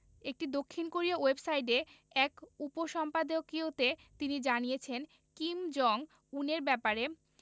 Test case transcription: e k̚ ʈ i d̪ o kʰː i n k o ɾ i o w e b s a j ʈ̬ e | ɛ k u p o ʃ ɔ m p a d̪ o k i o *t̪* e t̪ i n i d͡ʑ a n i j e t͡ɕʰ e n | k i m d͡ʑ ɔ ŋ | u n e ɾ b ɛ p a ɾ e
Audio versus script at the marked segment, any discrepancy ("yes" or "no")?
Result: no